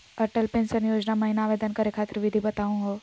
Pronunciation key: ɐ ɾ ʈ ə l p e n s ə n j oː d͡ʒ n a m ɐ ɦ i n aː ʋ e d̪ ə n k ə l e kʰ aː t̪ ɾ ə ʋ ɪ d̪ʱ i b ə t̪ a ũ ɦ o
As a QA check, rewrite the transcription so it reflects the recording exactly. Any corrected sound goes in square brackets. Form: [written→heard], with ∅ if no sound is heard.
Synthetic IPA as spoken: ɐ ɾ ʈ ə l p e n s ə n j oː d͡ʒ n a m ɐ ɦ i n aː ʋ e d̪ ə n k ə [l→ɾ] e kʰ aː t̪ ɾ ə ʋ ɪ d̪ʱ i b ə t̪ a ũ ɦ o

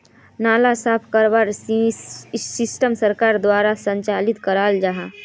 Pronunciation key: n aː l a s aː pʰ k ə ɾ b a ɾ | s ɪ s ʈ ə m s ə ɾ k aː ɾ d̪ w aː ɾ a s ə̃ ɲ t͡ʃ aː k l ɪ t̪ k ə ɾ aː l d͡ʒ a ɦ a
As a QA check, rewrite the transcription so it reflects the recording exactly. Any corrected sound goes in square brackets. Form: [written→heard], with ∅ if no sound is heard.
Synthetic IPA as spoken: n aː l a s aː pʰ k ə ɾ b a ɾ | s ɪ s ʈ ə m s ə ɾ k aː ɾ d̪ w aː ɾ a s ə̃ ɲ t͡ʃ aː [k→∅] l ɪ t̪ k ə ɾ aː l d͡ʒ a ɦ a

